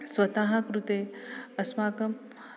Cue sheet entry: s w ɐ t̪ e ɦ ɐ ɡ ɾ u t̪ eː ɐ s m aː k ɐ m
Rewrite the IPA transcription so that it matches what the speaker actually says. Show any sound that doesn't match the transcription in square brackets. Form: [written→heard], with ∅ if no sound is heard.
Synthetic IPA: s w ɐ t̪ [e→a] ɦ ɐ [ɡ→k] ɾ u t̪ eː ɐ s m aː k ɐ m